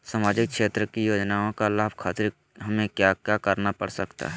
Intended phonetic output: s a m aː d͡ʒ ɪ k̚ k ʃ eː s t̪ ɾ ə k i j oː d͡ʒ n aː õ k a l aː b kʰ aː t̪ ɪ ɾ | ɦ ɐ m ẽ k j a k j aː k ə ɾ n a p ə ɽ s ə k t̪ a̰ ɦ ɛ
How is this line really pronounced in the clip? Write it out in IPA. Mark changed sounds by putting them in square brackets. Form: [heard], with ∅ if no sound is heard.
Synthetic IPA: s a m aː d͡ʒ ɪ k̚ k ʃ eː [∅] t̪ ɾ ə k i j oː d͡ʒ n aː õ k a l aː b kʰ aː t̪ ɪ ɾ | ɦ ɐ m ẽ k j a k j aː k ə ɾ n a p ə ɽ s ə k t̪ a̰ ɦ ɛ